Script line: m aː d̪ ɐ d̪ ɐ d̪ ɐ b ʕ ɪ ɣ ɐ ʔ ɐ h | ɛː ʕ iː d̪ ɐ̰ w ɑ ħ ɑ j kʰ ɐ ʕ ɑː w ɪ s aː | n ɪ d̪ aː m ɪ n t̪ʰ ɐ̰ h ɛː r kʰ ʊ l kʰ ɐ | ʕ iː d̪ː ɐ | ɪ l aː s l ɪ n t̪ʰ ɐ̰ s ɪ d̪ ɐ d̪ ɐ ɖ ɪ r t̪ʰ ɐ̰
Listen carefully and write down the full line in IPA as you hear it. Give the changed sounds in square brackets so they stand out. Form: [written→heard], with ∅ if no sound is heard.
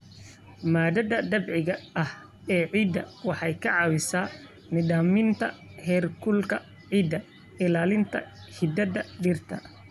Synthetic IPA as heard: m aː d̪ ɐ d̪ ɐ d̪ ɐ b ʕ ɪ ɣ ɐ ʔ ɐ h | ɛː ʕ iː d̪ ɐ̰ w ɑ ħ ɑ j kʰ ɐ ʕ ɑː w ɪ s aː | n ɪ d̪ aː m ɪ n t̪ʰ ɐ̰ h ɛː r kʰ ʊ l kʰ ɐ | ʕ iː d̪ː ɐ | ɪ l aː [s→∅] l ɪ n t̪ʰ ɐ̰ [s→h] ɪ d̪ ɐ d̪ ɐ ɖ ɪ r t̪ʰ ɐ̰